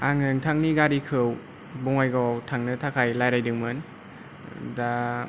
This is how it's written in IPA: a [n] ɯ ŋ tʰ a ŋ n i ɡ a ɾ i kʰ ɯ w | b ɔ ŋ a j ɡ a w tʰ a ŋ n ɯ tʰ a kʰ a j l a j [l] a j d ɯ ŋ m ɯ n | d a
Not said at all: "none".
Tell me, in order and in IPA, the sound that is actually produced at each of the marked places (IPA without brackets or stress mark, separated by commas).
ŋ, ɾ